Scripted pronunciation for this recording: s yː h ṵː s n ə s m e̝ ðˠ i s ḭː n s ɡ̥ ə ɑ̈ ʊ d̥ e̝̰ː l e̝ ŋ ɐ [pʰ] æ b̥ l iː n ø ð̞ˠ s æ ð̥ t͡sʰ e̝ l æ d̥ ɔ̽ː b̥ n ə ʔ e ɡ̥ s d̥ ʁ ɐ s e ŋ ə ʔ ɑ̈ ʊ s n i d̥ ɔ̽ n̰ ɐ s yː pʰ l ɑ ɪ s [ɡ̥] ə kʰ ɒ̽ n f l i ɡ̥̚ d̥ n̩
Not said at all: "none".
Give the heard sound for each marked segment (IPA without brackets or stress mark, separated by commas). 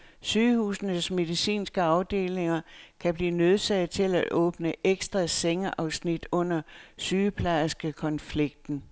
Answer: kʰ, ɡ̥